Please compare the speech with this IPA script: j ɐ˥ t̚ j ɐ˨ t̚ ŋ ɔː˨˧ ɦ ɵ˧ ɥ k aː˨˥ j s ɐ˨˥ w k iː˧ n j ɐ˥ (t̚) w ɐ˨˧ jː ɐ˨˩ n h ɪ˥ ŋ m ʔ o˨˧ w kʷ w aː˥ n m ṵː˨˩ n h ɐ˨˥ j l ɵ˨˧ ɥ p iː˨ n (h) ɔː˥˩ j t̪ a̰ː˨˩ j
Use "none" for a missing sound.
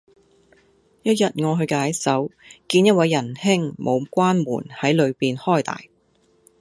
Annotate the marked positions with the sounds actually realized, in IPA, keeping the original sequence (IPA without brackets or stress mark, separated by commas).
t̚, h